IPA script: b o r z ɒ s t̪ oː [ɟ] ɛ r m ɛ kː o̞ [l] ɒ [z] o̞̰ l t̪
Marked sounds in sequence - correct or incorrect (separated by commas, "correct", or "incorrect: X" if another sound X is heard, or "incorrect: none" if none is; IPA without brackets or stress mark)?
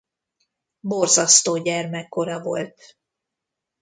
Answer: correct, incorrect: ɾ, incorrect: v